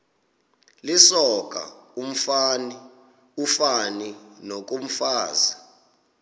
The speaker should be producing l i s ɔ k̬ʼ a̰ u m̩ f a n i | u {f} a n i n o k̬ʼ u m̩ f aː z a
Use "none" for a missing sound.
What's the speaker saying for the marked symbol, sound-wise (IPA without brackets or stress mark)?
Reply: f